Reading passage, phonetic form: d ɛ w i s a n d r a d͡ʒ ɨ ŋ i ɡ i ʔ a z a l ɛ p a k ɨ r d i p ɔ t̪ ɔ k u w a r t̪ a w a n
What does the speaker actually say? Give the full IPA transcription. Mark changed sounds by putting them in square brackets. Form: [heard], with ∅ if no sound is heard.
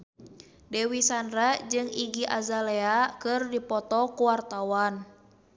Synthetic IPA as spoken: d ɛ w i s a n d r a d͡ʒ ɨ ŋ i ɡ i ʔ a z a l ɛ [∅] a k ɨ r d i p ɔ t̪ ɔ k u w a r t̪ a w a n